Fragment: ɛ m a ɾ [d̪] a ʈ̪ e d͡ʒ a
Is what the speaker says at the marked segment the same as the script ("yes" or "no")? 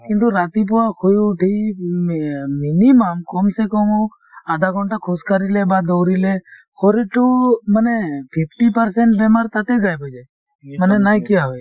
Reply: no